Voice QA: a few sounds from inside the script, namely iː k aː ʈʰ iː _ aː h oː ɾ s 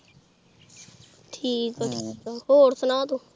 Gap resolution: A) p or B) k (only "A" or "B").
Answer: B